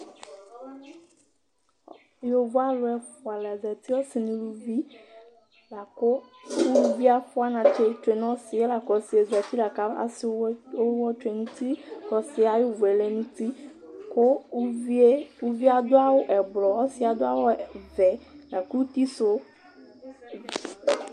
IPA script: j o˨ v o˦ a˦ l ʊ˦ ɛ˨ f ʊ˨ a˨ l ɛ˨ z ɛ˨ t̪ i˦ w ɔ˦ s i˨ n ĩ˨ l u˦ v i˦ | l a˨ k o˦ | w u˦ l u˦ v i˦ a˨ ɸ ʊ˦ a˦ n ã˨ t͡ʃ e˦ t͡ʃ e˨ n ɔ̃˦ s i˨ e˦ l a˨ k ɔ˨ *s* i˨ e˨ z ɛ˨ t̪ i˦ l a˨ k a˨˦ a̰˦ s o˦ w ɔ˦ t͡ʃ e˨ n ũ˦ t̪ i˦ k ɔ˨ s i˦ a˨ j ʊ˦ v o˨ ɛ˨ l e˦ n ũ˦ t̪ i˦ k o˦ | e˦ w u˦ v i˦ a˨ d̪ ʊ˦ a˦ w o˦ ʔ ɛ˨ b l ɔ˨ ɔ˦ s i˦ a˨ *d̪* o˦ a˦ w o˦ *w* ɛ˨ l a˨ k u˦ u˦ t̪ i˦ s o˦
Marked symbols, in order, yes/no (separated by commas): yes, yes, no